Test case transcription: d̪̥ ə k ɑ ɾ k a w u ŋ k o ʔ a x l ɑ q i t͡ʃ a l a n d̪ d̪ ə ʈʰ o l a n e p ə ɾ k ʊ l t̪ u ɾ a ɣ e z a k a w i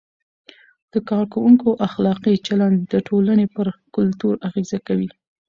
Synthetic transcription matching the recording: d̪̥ ə k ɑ ɾ k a w u ŋ k o ʔ a x l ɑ q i t͡ʃ a l a n d̪ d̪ ə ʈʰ o l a n e p ə ɾ k ʊ l t̪ u ɾ a ɣ e z a k a w i